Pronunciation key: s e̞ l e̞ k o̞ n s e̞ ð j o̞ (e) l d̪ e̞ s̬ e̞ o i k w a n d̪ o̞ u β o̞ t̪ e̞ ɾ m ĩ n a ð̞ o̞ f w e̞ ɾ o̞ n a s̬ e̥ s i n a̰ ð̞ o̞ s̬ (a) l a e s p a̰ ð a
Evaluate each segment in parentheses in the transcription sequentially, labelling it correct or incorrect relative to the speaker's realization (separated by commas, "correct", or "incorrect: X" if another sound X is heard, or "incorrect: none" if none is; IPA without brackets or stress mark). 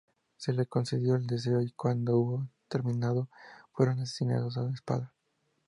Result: correct, correct